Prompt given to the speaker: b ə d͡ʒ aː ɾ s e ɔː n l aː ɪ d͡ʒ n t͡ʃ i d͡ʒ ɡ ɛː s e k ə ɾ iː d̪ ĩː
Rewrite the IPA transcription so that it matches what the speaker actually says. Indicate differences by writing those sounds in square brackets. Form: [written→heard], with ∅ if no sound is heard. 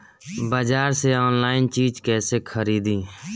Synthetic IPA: b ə d͡ʒ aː ɾ s e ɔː n l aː ɪ [d͡ʒ→∅] n t͡ʃ [i→iː] d͡ʒ [ɡ→k] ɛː s e [k→kʰ] ə ɾ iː d̪ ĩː